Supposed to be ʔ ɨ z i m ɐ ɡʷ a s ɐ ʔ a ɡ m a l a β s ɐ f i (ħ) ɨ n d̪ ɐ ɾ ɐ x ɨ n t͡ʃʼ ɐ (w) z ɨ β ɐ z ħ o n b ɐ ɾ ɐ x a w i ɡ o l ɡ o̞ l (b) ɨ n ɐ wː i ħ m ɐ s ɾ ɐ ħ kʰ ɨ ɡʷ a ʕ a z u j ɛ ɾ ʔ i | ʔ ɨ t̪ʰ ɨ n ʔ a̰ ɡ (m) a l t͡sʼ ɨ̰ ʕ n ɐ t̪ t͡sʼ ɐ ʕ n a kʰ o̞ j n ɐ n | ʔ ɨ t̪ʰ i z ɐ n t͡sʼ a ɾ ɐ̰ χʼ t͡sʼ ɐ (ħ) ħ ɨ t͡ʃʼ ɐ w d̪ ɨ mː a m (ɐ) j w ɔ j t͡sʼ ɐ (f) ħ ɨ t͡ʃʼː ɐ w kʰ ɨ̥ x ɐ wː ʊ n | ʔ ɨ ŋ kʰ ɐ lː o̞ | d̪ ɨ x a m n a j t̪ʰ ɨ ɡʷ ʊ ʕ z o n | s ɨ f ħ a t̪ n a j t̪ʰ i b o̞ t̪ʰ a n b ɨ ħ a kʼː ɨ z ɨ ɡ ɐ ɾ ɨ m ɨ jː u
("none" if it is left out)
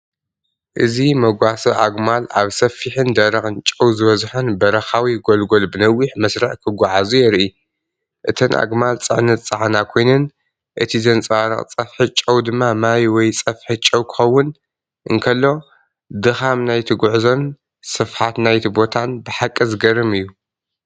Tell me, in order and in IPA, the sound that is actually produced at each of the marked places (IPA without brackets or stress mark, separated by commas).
ħ, w, b, m, f, a, f